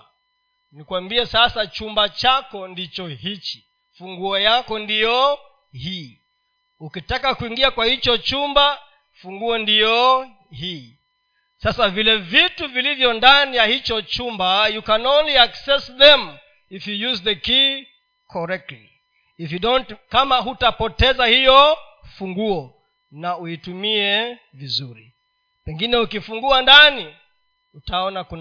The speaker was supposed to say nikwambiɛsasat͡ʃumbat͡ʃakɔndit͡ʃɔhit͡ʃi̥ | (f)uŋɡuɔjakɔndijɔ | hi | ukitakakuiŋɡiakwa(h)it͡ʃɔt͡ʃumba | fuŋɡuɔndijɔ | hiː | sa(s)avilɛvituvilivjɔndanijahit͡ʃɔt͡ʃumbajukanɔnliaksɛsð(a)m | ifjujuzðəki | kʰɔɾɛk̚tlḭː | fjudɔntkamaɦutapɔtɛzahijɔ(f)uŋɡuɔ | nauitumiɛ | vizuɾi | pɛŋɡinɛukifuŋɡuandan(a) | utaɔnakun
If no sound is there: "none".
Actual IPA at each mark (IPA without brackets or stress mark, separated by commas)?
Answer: f, h, s, ɛ, f, i